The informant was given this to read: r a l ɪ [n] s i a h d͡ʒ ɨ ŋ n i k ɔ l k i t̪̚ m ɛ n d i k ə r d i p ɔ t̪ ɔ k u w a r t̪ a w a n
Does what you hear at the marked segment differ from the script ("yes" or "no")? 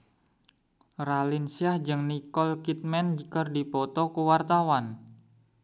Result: no